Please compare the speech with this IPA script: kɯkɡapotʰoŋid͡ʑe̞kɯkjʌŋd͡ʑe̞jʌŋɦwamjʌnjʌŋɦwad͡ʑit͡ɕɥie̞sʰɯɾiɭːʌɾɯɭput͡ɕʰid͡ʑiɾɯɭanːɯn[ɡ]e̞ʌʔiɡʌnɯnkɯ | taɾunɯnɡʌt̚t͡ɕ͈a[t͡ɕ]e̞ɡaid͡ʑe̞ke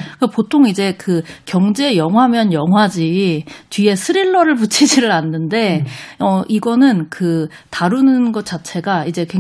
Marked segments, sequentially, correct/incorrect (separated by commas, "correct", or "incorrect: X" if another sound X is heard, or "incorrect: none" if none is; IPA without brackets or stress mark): incorrect: d, incorrect: t͡ɕʰ